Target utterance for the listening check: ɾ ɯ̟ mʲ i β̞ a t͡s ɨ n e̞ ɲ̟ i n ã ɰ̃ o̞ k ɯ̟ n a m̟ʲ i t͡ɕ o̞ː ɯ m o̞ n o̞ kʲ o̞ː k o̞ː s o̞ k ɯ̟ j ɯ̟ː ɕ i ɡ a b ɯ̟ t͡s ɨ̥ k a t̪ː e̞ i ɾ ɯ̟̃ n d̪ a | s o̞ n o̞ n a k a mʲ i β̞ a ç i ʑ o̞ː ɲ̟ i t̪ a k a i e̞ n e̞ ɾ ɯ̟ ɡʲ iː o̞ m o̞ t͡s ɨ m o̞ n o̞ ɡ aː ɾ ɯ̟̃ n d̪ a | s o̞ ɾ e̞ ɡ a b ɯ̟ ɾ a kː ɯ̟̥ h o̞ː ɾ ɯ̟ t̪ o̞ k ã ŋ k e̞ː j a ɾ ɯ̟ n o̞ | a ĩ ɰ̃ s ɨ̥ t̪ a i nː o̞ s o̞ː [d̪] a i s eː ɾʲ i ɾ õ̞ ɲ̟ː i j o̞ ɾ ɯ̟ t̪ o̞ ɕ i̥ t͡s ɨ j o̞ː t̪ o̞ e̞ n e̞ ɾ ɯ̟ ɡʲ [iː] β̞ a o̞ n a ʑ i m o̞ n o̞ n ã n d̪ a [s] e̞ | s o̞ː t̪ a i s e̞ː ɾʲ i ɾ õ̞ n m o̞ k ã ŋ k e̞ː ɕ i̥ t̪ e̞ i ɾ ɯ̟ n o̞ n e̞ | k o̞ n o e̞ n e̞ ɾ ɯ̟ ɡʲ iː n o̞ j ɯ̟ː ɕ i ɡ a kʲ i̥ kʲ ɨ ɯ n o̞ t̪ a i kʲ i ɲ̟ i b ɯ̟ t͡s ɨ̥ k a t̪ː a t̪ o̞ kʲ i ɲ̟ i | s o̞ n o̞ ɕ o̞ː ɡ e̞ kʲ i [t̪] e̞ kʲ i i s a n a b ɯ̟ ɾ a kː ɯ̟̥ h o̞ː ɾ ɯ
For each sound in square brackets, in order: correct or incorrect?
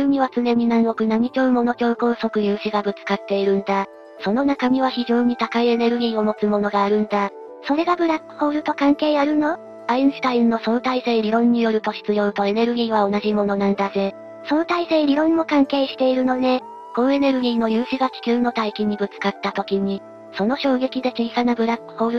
incorrect: t̪, correct, incorrect: z, incorrect: d̪

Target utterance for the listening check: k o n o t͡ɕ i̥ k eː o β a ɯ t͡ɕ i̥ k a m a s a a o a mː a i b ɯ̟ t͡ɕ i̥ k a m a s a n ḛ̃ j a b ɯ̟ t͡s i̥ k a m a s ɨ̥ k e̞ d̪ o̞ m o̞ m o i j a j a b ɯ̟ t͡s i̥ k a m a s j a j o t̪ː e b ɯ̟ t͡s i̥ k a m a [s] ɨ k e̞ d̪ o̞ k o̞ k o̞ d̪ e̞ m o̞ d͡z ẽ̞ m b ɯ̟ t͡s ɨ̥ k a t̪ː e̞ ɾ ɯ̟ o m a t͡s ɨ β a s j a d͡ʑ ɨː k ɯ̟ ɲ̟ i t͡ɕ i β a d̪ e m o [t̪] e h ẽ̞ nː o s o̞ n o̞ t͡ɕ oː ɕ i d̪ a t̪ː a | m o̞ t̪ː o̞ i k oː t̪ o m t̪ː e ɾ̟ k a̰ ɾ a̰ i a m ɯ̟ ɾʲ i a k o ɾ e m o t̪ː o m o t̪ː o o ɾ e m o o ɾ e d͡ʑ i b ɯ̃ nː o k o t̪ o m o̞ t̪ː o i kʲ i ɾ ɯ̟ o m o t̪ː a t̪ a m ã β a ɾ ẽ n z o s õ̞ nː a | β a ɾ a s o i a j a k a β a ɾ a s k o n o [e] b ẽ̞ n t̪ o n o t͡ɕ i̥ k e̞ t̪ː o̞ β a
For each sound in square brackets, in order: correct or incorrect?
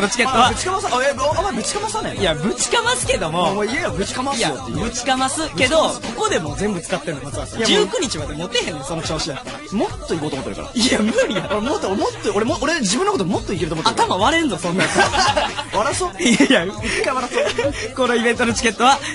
correct, correct, incorrect: i

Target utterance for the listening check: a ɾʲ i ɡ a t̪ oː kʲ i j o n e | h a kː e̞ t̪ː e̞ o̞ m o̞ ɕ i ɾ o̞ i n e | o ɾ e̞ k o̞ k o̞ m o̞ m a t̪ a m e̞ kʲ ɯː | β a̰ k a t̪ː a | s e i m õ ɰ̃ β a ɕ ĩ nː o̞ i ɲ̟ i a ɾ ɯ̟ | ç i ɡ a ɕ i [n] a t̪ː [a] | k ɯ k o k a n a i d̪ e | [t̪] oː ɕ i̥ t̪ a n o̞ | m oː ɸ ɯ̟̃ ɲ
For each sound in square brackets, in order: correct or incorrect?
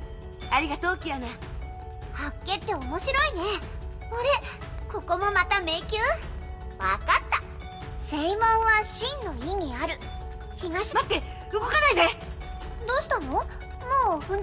incorrect: m, incorrect: e, incorrect: d̪

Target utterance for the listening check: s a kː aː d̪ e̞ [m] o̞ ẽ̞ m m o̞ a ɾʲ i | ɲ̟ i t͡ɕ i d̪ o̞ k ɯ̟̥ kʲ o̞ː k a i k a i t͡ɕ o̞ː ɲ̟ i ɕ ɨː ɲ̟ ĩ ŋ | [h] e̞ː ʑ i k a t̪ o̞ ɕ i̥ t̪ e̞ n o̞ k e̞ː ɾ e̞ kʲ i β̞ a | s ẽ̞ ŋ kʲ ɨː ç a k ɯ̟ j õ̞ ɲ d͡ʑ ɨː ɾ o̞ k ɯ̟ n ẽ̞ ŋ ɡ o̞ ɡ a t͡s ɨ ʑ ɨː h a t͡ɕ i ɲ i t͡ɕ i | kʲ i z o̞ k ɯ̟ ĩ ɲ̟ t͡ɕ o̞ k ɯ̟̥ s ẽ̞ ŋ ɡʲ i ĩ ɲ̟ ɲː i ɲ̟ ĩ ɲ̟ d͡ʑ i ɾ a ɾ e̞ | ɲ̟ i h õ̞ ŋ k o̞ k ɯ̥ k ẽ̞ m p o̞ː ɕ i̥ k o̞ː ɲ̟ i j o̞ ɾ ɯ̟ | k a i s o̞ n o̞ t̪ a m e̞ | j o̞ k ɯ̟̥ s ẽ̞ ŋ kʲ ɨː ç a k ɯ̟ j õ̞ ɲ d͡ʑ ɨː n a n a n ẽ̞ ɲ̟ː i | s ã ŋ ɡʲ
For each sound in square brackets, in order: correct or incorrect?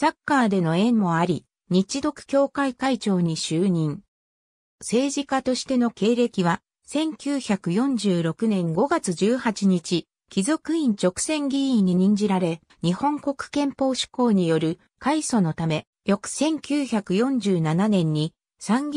incorrect: n, incorrect: s

